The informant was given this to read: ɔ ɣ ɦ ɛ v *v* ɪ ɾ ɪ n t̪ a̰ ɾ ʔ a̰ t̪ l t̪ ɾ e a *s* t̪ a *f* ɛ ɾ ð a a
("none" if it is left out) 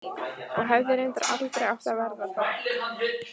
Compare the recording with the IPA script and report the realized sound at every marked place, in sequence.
ð, f, v

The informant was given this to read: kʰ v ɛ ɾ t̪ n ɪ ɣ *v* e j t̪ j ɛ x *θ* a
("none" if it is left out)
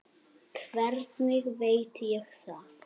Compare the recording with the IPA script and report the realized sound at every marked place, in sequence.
v, θ

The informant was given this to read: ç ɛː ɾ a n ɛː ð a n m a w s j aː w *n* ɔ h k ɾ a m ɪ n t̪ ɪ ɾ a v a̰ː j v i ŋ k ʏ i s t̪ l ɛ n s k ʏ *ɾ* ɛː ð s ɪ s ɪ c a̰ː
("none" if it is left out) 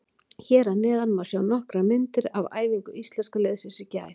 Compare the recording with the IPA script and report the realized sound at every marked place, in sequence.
n, l

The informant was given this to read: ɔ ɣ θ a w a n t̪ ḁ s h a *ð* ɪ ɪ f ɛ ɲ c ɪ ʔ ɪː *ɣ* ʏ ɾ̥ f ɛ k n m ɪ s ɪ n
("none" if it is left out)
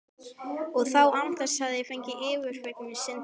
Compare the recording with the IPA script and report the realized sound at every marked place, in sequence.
ð, v

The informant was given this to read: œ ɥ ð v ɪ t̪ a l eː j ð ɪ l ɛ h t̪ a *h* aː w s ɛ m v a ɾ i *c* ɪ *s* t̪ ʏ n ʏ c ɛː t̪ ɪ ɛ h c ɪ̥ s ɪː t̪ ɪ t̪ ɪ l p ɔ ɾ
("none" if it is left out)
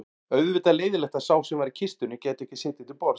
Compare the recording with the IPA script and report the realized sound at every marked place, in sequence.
s, cʰ, s

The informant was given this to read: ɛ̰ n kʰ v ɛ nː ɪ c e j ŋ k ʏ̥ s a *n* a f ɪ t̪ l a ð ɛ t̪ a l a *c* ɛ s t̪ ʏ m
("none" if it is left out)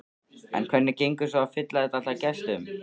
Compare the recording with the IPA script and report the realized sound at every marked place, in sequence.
none, c

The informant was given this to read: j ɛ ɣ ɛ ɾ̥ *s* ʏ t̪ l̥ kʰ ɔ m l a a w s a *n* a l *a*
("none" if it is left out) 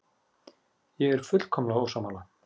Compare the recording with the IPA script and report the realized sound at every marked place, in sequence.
f, m, a

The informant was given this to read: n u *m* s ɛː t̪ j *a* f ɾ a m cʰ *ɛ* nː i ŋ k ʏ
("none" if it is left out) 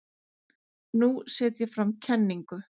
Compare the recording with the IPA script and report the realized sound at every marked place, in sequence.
none, ɛ, ɛ

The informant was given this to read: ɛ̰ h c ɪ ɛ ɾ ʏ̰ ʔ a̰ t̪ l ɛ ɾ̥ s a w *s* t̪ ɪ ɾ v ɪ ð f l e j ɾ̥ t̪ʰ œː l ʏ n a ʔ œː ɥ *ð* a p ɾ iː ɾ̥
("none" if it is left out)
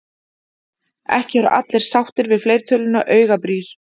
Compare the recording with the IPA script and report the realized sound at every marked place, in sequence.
h, ɣ

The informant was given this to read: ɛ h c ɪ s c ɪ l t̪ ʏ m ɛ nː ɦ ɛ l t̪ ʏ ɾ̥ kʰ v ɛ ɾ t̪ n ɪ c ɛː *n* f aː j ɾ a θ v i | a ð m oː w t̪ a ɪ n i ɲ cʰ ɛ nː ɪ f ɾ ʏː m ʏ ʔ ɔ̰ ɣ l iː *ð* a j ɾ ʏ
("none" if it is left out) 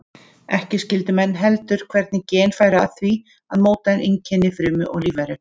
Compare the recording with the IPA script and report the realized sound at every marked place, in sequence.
n, v

